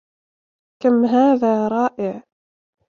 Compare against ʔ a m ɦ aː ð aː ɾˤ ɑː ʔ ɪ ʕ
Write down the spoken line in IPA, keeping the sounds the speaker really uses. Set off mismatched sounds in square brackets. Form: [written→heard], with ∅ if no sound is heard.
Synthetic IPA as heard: [ʔ→k] a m ɦ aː ð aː ɾˤ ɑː ʔ ɪ ʕ